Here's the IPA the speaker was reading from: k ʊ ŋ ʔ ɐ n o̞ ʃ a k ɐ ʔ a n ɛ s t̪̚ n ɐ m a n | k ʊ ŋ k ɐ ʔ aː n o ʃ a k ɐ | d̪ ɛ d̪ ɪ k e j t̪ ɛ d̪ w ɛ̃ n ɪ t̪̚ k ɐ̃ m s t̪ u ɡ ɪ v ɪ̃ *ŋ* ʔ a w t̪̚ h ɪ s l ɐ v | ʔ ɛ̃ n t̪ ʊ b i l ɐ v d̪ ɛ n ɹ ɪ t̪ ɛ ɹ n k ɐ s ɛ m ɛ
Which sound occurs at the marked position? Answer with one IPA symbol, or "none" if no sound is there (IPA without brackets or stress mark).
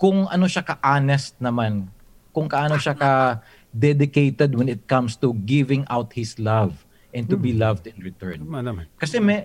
ŋ